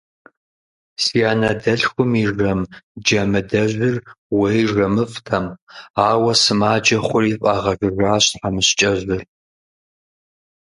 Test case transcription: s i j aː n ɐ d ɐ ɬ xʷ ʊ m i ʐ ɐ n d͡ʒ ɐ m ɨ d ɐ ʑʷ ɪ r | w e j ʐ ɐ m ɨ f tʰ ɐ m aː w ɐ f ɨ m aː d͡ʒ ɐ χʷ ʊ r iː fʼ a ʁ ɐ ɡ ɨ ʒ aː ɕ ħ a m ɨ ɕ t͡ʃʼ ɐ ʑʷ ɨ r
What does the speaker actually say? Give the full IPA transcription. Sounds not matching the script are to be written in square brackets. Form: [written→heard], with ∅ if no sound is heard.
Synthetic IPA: s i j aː n ɐ d ɐ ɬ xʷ ʊ m i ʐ ɐ [n→m] d͡ʒ ɐ m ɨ d ɐ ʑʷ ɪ r | w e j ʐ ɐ m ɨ f tʰ ɐ m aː w ɐ [f→s] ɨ m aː d͡ʒ ɐ χʷ ʊ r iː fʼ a ʁ ɐ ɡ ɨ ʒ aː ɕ ħ a m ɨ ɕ t͡ʃʼ ɐ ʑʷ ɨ r